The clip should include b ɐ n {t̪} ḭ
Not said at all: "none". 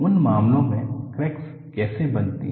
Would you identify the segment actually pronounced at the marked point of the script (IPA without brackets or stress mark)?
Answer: t̪